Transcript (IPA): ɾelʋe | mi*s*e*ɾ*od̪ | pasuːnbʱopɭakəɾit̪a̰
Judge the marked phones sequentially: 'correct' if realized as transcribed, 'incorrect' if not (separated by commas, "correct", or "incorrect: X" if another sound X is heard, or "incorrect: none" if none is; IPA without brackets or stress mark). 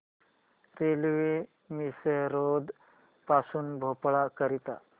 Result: correct, correct